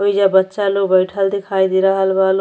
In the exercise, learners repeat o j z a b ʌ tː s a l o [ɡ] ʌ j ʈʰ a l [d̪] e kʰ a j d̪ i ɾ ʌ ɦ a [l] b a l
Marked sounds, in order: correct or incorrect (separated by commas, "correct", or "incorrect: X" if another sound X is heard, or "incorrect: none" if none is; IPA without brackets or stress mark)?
incorrect: b, correct, correct